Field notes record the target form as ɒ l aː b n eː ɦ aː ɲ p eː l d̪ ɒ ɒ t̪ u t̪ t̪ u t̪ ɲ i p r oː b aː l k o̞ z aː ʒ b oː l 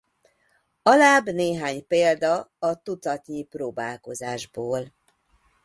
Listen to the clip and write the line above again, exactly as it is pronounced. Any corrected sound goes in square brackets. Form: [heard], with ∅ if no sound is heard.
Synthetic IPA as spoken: ɒ l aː b n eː ɦ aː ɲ p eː l d̪ ɒ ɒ t̪ u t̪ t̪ [ɒ] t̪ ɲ i p r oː b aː l k o̞ z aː ʒ b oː l

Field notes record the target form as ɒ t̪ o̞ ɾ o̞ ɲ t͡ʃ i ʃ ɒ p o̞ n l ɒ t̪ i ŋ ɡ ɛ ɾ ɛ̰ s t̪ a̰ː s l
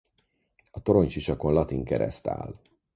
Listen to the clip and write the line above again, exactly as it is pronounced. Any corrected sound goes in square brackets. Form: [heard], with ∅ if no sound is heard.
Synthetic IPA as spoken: ɒ t̪ o̞ ɾ o̞ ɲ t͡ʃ i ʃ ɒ [k] o̞ n l ɒ t̪ i ŋ [k] ɛ ɾ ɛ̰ s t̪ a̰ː [∅] l

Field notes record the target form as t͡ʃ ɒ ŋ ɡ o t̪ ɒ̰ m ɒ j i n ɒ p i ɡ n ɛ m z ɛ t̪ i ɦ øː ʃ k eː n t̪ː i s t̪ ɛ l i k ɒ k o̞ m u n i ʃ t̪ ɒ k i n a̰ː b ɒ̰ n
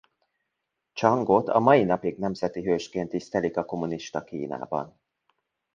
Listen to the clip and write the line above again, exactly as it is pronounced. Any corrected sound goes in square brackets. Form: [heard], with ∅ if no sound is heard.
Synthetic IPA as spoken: t͡ʃ ɒ ŋ ɡ o t̪ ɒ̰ m ɒ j i n ɒ p i ɡ n ɛ m z ɛ t̪ i ɦ øː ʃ k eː n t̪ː i s t̪ ɛ l i k ɒ k o̞ m u n i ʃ t̪ ɒ k [iː] n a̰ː b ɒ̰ n

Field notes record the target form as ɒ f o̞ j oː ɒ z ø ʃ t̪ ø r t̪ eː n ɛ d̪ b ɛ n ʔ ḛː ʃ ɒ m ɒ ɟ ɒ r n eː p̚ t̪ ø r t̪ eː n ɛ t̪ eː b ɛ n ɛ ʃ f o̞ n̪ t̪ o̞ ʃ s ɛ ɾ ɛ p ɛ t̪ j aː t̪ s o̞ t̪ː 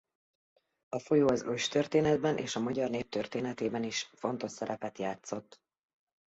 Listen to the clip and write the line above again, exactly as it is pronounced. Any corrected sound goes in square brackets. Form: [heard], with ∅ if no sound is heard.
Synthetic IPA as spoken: ɒ f o̞ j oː ɒ z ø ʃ t̪ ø r t̪ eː n ɛ d̪ b ɛ n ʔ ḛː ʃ ɒ m ɒ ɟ ɒ r n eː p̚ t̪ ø r t̪ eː n ɛ t̪ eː b ɛ n [i] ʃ f o̞ n̪ t̪ o̞ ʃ s ɛ ɾ ɛ p ɛ t̪ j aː t̪ s o̞ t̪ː

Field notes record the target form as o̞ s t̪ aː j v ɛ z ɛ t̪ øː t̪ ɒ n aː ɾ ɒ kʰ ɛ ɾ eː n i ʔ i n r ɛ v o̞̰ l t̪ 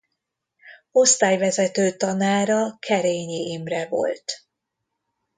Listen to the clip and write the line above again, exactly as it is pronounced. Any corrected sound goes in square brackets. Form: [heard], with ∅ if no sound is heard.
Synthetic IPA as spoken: o̞ s t̪ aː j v ɛ z ɛ t̪ øː t̪ ɒ n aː ɾ ɒ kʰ ɛ ɾ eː [ɲ] i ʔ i [m] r ɛ v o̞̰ l t̪

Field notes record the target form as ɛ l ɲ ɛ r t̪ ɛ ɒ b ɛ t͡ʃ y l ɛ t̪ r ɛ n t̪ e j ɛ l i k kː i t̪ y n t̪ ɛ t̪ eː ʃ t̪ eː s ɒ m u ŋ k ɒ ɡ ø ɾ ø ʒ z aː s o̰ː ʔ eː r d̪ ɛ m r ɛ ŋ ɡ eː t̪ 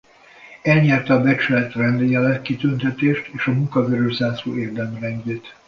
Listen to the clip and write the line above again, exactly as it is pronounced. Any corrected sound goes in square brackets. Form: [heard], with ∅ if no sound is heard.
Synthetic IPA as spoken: ɛ l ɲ ɛ r t̪ ɛ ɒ b ɛ t͡ʃ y l ɛ t̪ r ɛ n [d̪] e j ɛ l [ɛ] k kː i t̪ y n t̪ ɛ t̪ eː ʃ t̪ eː [ʃ] ɒ m u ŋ k ɒ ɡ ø ɾ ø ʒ z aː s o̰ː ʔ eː r d̪ ɛ m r ɛ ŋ ɡ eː t̪

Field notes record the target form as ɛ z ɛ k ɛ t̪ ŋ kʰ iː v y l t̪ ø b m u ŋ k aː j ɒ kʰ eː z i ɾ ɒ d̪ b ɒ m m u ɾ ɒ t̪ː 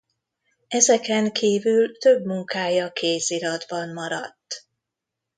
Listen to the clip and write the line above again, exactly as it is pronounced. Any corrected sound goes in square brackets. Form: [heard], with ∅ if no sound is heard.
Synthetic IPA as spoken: ɛ z ɛ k ɛ [∅] ŋ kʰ iː v y l t̪ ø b m u ŋ k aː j ɒ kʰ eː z i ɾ ɒ d̪ b ɒ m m [ɒ] ɾ ɒ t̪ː

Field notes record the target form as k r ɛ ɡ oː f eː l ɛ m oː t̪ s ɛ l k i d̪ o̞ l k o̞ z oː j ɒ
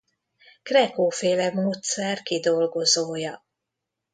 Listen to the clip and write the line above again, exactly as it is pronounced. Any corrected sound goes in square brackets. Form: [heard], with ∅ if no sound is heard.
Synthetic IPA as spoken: k r ɛ [k] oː f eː l ɛ m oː t̪ s ɛ [r] k i d̪ o̞ l [ɡ] o̞ z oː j ɒ

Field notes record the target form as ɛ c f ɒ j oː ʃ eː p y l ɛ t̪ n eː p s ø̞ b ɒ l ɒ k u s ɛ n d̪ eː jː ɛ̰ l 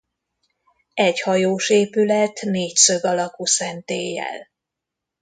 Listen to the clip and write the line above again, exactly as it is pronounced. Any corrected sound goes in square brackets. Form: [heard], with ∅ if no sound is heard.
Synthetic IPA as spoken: ɛ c [h] ɒ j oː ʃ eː p y l ɛ t̪ n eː [c] s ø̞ [ɡ] ɒ l ɒ k u s ɛ n [t̪] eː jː ɛ̰ l

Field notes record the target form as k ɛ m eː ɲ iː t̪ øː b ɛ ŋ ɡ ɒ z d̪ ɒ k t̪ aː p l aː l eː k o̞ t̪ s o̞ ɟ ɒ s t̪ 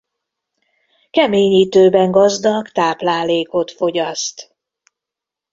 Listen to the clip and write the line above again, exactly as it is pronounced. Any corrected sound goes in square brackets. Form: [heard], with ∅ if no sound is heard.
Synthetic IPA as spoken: k ɛ m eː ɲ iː t̪ øː b ɛ ŋ ɡ ɒ z d̪ ɒ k t̪ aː p l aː l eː k o̞ t̪ [f] o̞ ɟ ɒ s t̪

